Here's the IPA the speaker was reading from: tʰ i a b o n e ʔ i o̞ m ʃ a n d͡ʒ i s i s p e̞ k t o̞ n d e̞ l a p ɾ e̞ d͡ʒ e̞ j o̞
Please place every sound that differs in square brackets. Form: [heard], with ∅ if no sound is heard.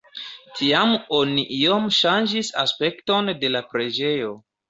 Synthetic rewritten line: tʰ i a [m] o n [i] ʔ i o̞ m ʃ a n d͡ʒ i s [a] s p e̞ k t o̞ n d e̞ l a p ɾ e̞ d͡ʒ e̞ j o̞